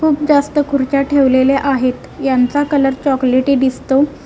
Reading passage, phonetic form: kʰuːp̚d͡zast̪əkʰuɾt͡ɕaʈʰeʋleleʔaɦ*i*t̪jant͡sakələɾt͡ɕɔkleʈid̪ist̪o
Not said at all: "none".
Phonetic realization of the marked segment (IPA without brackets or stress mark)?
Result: e